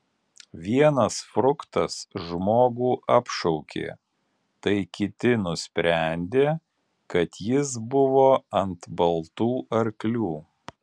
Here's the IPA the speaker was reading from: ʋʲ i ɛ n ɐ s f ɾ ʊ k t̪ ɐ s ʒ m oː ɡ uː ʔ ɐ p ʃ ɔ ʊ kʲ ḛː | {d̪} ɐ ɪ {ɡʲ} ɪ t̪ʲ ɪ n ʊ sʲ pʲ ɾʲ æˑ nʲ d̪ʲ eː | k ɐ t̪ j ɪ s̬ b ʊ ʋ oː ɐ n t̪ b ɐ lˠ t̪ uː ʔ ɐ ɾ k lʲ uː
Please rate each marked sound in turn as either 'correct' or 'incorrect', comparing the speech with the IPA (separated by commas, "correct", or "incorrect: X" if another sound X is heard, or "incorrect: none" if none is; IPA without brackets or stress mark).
incorrect: t̪, incorrect: kʲ